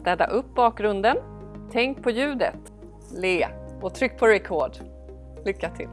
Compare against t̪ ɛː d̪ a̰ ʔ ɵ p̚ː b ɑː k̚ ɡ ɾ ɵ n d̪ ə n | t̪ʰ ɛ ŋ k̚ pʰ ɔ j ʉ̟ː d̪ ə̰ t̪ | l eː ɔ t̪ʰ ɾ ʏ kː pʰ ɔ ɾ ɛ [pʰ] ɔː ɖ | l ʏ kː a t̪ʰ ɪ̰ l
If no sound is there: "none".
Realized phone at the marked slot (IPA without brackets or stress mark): kʰ